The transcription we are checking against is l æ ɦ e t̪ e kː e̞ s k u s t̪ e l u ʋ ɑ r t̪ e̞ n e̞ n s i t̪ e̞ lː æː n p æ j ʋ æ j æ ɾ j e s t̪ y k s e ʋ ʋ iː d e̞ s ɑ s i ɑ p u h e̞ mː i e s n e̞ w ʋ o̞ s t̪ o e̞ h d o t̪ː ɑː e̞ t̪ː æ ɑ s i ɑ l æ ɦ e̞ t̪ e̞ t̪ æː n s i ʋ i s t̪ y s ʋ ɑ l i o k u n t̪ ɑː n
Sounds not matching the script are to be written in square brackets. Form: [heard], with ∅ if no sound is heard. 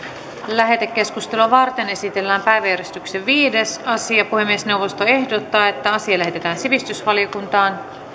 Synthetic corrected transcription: l æ ɦ e t̪ e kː e̞ s k u s t̪ e l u ʋ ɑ r t̪ e̞ n e̞ [∅] s i t̪ e̞ lː æː [m] p æ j ʋ æ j æ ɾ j e s t̪ y k s e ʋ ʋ iː d e̞ s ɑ s i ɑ p u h e̞ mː i e s n e̞ w ʋ o̞ s t̪ o e̞ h d o t̪ː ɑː e̞ t̪ː æ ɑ s i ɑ l æ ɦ e̞ t̪ e̞ t̪ æː n s i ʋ i s t̪ y s ʋ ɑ l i o k u n t̪ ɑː n